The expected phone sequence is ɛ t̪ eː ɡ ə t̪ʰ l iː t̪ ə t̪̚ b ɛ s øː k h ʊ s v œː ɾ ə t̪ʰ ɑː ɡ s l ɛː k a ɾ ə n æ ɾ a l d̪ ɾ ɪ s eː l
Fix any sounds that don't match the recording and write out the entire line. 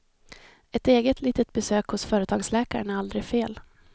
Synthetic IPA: ɛ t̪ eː ɡ ə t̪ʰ l iː t̪ ə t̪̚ b ɛ s øː k h ʊ s f œː ɾ ə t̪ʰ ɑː ɡ s l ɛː k a ɾ ə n æ ɾ a l d̪ ɾ ɪ f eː l